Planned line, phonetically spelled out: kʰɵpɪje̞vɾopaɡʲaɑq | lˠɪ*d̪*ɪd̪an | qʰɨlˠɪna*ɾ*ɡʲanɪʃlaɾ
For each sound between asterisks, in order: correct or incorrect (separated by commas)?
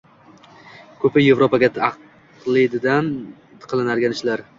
correct, correct